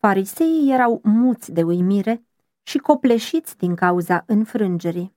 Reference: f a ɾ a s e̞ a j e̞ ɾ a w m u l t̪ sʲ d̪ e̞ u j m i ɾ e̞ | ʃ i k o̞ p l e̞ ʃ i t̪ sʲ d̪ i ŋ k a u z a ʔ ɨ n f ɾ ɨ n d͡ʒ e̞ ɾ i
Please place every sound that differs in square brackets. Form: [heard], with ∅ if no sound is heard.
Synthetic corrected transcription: f a ɾ [i] s e̞ [i] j e̞ ɾ a w m u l t̪ sʲ d̪ e̞ u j m i ɾ e̞ | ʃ i k o̞ p l e̞ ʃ i t̪ sʲ d̪ i ŋ k a u z a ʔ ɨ n f ɾ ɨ n d͡ʒ e̞ ɾ i